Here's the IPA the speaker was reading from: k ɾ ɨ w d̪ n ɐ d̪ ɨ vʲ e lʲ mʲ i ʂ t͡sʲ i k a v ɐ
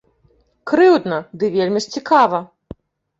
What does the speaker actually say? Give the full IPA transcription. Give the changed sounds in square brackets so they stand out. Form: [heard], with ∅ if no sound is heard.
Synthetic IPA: k ɾ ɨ w d̪ n ɐ d̪ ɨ vʲ e lʲ mʲ i ʂ t͡sʲ i k a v ɐ